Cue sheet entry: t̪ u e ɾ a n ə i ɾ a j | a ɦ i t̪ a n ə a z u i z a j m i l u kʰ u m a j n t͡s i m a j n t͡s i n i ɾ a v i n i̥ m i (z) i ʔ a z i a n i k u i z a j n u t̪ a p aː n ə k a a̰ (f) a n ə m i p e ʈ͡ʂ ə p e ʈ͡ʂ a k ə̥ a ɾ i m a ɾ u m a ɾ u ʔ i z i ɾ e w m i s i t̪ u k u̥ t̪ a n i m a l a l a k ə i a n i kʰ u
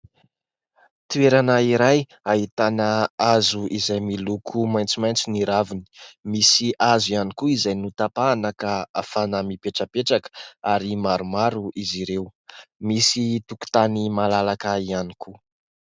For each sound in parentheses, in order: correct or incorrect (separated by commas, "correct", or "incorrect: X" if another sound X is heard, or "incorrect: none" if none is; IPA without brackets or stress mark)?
incorrect: s, correct